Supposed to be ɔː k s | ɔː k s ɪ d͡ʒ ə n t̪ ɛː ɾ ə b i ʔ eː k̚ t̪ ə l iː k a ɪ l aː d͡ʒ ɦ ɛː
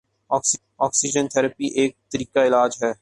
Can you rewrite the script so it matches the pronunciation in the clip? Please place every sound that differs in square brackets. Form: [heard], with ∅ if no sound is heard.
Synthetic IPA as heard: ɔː k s | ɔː k s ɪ d͡ʒ ə n [t̪ʰ] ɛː ɾ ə [p] i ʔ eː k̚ t̪ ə [ɾ] iː k a ɪ l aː d͡ʒ ɦ ɛː